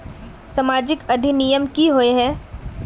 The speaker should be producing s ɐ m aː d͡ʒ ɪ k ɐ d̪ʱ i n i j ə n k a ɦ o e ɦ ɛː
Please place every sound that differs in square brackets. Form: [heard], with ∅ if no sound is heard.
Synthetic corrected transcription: s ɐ m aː d͡ʒ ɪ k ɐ d̪ʱ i n i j ə [m] k [i] ɦ o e ɦ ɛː